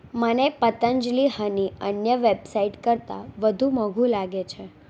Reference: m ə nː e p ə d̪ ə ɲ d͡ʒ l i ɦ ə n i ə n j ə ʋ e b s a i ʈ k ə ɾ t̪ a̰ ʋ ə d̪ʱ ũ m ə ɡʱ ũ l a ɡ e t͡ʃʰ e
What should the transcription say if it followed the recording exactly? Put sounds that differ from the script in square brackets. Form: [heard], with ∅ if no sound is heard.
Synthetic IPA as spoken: m ə [n] e p ə [t̪] ə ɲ d͡ʒ l i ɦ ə n i ə n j ə ʋ e b s a i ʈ k ə ɾ t̪ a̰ ʋ ə d̪ʱ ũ m ə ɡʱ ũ l a ɡ e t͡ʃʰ e